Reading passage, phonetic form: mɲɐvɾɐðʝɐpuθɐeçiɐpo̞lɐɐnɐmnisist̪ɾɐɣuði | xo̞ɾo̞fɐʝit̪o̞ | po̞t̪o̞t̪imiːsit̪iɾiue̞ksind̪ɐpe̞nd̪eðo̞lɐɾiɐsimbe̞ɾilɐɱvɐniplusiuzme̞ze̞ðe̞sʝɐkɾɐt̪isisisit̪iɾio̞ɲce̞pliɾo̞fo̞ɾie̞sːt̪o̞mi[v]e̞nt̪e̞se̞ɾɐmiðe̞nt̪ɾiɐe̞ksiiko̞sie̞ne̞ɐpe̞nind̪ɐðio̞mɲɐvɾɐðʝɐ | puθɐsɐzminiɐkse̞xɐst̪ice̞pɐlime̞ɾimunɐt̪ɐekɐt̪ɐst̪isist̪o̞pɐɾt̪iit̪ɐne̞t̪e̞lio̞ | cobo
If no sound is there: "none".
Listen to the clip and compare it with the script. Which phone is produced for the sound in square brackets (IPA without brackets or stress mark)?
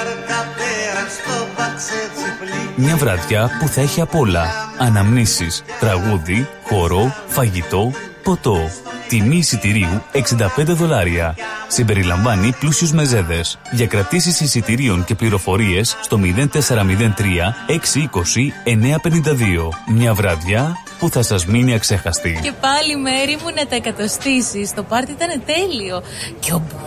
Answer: ð